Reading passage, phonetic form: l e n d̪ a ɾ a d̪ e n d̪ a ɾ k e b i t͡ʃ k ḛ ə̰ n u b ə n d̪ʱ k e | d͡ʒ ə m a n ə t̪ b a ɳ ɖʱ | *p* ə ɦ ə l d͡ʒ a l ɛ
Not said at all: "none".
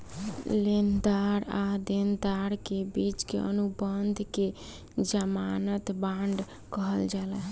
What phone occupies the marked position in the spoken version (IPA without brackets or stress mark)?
k